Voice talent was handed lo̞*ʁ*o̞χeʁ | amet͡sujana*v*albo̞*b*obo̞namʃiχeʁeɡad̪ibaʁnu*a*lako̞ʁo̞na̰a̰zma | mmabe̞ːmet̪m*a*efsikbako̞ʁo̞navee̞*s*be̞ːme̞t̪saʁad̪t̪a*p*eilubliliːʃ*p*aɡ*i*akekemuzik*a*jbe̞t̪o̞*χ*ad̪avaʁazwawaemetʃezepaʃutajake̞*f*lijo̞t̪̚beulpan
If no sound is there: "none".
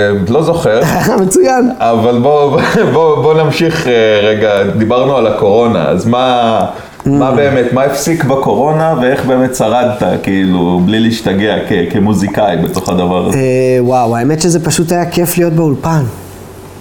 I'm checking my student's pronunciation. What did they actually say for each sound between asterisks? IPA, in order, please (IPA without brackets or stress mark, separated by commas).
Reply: z, v, b, a, a, χ, k, t, e, a, χ, f